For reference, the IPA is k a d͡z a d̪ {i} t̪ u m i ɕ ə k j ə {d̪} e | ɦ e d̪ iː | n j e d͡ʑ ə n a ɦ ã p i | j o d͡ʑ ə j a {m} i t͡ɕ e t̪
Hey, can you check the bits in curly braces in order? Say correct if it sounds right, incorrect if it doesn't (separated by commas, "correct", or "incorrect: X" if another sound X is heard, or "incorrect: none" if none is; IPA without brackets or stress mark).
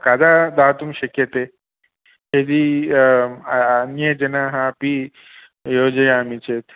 incorrect: a, incorrect: t̪, correct